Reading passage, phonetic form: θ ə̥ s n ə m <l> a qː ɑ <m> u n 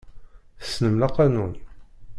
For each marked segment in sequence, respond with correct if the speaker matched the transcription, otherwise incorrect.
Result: correct, incorrect: n

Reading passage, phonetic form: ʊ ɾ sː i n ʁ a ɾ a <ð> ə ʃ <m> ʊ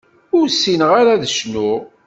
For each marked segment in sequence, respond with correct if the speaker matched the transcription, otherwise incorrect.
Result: correct, incorrect: n

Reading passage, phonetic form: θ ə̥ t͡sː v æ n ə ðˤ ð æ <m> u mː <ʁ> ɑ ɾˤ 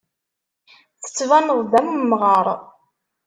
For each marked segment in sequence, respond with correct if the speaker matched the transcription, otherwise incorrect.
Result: correct, correct

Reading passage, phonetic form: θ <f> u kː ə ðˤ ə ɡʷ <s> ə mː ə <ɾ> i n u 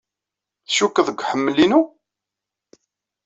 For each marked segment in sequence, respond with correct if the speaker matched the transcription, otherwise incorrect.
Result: incorrect: ʃ, incorrect: ħ, incorrect: l

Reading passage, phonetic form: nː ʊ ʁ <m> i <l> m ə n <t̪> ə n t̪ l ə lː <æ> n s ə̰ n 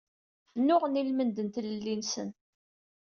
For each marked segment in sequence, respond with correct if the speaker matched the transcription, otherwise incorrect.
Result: incorrect: n, correct, incorrect: d̪, incorrect: i

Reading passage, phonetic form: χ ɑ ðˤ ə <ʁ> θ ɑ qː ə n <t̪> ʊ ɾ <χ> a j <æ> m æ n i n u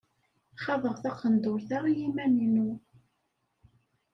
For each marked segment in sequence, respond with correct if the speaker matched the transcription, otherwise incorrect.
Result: correct, incorrect: d̪, incorrect: θ, incorrect: i

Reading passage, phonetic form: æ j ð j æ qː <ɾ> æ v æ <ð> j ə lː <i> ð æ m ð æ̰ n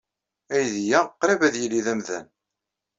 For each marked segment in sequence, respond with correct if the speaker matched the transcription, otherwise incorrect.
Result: correct, correct, correct

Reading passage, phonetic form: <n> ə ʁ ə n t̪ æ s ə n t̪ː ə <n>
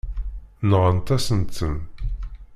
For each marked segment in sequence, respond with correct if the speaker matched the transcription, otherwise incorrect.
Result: correct, correct

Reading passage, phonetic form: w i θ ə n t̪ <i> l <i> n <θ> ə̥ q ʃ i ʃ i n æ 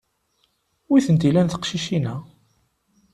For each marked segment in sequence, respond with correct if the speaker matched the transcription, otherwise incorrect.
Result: correct, incorrect: æ, correct

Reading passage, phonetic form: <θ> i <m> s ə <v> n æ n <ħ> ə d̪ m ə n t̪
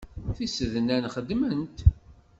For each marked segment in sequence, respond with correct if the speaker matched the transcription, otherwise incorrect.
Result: correct, incorrect: none, incorrect: ð, incorrect: χ

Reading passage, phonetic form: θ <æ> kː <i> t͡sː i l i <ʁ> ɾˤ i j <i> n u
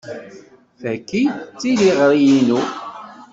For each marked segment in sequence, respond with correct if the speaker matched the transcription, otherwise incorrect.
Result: correct, correct, correct, correct

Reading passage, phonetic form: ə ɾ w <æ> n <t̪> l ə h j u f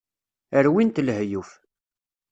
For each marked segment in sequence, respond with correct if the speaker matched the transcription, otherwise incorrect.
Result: incorrect: i, correct

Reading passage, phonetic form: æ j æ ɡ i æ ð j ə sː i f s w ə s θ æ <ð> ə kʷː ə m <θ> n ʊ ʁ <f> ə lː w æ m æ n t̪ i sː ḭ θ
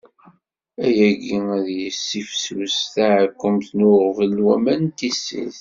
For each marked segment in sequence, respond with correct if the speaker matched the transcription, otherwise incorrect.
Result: incorrect: ʕ, correct, incorrect: v

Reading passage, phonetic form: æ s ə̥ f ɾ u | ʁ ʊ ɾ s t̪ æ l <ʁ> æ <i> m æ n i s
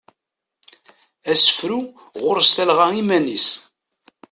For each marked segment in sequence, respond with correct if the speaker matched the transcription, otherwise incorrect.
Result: correct, correct

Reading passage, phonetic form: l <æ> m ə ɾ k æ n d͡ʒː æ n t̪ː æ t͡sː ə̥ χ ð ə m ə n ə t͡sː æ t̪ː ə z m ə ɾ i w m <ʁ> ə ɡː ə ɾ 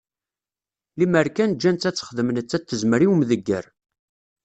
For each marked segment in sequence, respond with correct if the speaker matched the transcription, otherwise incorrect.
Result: incorrect: i, incorrect: ð

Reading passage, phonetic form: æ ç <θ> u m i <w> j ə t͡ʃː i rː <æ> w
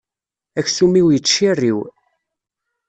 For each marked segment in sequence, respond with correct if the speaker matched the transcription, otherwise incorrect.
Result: incorrect: s, correct, incorrect: i

